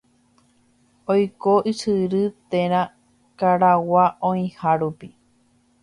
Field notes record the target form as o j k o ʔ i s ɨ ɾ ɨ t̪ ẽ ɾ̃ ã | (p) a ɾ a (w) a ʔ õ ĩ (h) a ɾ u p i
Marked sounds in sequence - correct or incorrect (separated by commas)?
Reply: incorrect, correct, correct